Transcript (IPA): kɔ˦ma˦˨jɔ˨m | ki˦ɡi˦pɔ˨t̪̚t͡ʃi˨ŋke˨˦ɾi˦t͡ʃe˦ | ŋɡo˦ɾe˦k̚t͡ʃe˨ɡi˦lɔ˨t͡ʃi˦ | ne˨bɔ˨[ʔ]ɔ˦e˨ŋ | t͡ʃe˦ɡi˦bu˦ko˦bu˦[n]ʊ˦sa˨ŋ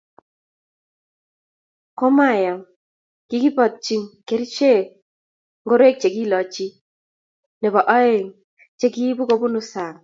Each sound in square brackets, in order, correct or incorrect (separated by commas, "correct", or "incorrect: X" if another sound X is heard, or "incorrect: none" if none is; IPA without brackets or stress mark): correct, correct